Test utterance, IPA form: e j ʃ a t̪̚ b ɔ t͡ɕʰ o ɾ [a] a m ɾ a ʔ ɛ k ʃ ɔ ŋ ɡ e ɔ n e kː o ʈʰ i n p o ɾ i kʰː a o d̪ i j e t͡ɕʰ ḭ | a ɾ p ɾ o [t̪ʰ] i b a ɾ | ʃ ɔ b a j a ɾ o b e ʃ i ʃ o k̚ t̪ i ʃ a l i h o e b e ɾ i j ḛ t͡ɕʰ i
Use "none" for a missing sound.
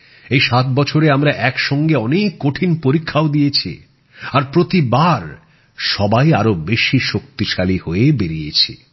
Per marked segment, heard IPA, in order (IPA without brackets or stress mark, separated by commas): e, t̪